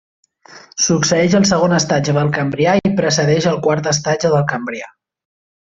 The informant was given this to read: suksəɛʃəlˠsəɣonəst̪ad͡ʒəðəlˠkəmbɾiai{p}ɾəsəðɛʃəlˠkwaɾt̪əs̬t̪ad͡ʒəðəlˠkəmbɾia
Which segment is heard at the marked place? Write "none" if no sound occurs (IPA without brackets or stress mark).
p